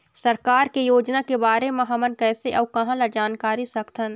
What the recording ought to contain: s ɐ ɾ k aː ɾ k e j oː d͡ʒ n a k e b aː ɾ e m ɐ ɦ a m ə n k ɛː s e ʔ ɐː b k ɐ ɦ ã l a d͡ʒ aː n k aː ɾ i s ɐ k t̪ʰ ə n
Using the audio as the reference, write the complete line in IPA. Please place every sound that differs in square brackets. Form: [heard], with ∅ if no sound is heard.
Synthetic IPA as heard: s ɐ ɾ k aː ɾ k e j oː d͡ʒ n a k e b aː ɾ e m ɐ ɦ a m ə n k ɛː s e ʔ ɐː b k ɐ ɦ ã l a d͡ʒ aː n k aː ɾ i s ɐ k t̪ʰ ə n